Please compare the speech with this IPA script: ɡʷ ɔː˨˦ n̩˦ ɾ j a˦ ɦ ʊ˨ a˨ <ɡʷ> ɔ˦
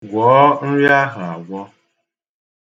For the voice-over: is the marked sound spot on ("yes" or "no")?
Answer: yes